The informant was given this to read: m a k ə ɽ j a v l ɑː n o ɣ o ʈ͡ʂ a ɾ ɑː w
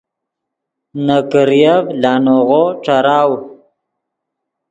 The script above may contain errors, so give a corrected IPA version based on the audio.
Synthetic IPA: n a k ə ɾ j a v l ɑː n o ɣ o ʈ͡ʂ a ɾ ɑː w